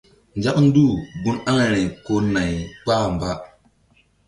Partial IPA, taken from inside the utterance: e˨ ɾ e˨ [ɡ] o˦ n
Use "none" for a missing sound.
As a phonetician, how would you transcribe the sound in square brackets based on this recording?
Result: k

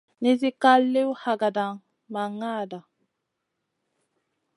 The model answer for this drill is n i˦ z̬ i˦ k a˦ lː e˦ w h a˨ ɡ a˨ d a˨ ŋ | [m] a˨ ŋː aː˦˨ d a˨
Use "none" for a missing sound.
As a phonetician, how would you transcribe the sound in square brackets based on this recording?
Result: m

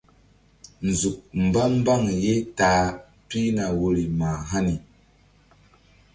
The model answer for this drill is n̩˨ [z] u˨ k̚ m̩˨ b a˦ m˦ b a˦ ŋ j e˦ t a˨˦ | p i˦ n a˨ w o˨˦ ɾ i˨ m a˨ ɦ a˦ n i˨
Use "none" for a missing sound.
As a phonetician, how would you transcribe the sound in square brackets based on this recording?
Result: z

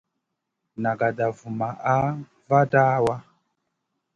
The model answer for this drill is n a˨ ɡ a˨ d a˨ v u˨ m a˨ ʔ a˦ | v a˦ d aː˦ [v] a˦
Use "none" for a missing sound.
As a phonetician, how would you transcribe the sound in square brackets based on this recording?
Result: w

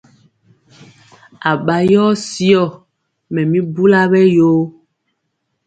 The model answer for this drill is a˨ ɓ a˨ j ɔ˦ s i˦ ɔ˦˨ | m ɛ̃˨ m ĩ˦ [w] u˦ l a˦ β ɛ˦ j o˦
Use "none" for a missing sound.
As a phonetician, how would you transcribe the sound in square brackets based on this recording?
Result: b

